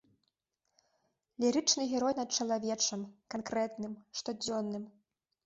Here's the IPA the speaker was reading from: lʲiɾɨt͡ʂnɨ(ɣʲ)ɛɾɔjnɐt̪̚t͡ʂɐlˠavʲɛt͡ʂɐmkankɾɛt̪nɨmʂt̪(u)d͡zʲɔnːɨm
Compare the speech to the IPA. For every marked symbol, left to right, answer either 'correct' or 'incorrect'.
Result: correct, incorrect

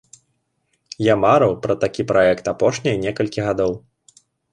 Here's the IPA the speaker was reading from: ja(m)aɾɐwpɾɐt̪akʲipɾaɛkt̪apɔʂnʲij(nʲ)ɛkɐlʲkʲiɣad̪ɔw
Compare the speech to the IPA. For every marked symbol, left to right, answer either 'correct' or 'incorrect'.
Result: correct, correct

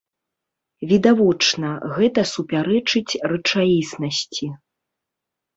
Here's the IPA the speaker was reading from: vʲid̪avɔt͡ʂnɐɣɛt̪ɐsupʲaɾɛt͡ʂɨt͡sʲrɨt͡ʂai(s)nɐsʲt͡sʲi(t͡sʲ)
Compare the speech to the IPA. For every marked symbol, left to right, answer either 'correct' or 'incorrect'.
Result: correct, incorrect

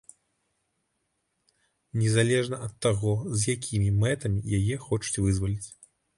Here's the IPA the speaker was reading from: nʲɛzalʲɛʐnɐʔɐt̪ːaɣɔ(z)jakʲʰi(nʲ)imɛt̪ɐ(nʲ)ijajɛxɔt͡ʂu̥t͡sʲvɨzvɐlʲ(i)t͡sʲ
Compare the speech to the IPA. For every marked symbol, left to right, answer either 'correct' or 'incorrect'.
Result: correct, incorrect, incorrect, correct

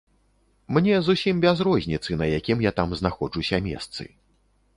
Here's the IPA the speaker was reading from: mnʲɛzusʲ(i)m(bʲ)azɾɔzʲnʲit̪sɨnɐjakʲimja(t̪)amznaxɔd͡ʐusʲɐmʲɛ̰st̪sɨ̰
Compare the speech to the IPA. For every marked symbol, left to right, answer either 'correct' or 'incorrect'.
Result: correct, correct, correct

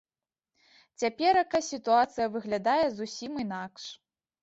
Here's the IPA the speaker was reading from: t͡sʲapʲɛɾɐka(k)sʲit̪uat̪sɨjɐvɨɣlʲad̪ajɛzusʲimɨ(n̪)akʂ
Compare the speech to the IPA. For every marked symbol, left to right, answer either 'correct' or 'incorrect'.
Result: incorrect, correct

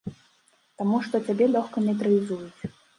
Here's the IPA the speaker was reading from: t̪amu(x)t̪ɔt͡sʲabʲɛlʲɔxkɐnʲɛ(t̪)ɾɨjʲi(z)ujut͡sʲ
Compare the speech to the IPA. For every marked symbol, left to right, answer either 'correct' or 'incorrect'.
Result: incorrect, correct, correct

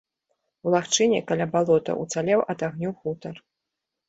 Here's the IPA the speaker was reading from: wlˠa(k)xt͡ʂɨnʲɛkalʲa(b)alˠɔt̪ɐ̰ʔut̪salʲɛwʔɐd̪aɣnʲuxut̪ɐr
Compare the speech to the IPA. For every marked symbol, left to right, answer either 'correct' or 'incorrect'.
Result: incorrect, correct

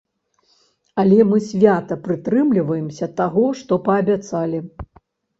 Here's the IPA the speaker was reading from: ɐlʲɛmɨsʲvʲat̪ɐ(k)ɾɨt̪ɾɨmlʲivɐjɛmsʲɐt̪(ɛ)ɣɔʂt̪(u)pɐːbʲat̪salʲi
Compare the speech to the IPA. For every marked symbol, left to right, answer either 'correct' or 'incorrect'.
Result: incorrect, incorrect, incorrect

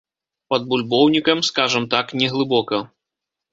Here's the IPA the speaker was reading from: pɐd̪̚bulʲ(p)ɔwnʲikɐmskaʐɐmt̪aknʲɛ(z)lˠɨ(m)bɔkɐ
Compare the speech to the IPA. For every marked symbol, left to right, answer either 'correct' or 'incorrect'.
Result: incorrect, incorrect, incorrect

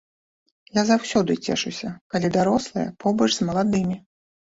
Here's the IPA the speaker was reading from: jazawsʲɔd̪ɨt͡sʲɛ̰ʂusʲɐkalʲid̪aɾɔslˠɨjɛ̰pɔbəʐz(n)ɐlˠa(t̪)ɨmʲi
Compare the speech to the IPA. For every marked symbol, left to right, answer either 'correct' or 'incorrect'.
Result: incorrect, incorrect

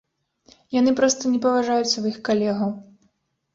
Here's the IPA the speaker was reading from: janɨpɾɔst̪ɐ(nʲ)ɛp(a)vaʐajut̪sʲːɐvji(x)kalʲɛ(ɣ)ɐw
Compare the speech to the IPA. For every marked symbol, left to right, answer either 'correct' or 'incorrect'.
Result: correct, incorrect, correct, correct

